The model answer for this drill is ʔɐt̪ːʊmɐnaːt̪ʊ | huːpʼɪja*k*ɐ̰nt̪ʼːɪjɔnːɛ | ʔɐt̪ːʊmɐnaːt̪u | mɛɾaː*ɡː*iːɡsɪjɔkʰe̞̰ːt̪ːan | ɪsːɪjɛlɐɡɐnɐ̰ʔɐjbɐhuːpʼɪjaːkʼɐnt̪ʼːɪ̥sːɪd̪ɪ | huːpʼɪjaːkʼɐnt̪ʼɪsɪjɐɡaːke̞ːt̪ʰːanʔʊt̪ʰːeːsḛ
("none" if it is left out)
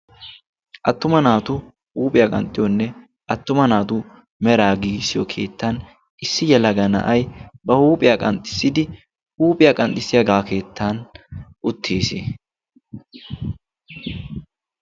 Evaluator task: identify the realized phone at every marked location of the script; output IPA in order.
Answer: kʼ, ɡ

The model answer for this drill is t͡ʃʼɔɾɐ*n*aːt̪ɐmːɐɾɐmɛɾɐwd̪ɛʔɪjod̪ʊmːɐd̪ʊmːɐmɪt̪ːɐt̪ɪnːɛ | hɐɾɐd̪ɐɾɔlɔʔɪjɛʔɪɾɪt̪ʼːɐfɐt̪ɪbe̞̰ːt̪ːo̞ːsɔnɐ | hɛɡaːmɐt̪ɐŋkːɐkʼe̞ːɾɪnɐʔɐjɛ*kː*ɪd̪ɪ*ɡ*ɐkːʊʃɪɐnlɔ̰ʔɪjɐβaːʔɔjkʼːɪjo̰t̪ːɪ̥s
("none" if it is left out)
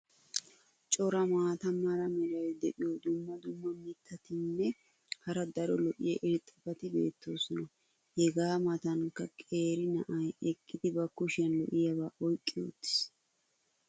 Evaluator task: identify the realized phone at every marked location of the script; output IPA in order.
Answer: m, kʼː, b

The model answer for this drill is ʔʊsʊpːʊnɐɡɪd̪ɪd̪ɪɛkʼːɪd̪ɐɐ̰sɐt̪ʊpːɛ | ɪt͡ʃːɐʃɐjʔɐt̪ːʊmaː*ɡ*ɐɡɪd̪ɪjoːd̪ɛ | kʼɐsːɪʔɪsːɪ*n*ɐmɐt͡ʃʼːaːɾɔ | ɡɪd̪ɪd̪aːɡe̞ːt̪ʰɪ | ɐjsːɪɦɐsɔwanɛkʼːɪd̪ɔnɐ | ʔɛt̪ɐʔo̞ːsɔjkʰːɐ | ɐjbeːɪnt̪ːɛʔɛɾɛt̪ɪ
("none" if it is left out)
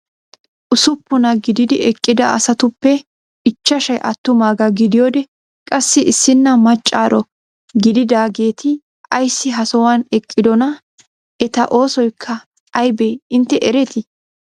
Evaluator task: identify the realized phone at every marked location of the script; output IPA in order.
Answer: ɡ, nː

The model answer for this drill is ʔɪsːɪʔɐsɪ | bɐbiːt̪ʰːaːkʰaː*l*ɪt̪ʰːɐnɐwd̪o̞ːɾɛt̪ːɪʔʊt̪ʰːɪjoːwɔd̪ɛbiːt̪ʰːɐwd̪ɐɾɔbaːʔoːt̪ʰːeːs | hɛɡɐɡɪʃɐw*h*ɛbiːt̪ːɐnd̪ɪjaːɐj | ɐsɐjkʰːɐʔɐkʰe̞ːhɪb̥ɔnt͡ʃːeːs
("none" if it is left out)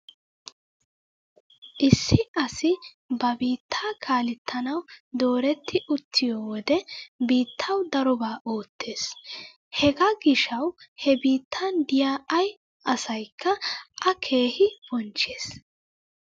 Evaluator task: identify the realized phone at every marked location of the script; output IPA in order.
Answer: l, h

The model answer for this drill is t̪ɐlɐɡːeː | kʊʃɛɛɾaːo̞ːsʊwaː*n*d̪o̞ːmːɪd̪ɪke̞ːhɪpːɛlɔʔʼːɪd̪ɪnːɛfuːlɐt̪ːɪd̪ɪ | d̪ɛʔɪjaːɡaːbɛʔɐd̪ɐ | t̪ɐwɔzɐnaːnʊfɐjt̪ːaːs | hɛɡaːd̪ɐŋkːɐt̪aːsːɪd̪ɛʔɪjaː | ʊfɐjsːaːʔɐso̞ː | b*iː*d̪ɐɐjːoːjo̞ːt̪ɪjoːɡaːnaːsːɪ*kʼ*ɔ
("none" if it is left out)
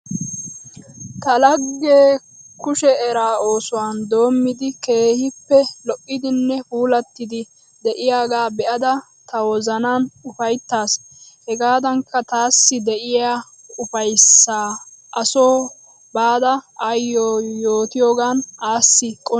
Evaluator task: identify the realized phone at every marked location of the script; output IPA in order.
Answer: n, aː, kʼ

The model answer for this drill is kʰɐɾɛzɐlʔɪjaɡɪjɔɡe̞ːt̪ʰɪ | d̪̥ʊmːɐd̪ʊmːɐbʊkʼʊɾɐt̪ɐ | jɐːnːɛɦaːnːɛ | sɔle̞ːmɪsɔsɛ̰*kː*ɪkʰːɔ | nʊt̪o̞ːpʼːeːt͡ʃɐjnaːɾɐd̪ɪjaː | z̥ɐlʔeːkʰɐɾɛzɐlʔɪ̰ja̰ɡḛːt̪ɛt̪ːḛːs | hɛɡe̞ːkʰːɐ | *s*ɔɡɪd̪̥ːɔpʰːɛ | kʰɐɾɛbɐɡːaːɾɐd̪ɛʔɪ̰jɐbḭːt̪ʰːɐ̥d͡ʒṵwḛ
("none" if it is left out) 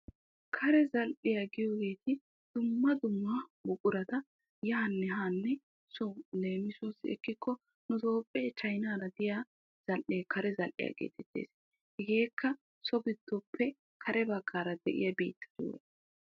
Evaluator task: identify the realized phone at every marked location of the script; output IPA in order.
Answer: kː, s

